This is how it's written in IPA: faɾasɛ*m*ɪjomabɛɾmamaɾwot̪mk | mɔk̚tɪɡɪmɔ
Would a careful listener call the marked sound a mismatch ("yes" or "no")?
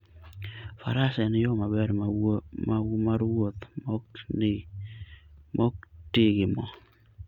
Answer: yes